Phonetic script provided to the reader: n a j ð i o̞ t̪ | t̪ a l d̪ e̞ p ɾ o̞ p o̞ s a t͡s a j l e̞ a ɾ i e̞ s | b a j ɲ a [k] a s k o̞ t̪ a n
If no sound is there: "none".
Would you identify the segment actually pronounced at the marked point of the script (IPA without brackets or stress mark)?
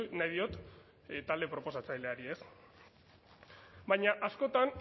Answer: ʔ